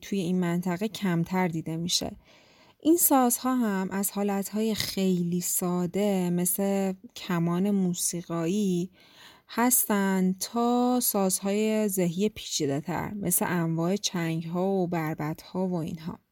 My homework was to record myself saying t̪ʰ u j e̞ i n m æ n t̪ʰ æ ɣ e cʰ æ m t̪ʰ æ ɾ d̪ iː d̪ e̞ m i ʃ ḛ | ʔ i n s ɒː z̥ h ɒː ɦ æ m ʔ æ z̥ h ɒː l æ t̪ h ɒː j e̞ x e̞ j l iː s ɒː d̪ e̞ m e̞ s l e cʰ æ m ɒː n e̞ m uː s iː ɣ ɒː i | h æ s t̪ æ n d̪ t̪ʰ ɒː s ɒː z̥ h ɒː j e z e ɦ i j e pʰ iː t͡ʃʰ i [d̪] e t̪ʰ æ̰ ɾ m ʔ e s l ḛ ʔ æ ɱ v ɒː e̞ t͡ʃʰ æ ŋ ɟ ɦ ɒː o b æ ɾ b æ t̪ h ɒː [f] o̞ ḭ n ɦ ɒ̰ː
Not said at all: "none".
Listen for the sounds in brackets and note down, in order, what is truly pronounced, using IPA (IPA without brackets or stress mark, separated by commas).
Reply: d̪, v